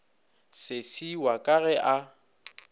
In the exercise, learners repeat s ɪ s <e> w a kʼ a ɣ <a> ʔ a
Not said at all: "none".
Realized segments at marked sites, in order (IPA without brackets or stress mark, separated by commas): i, ɛ